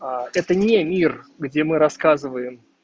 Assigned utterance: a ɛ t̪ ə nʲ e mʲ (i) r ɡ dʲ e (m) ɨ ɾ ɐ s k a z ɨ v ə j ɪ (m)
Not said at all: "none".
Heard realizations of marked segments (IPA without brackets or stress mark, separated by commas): i, m, m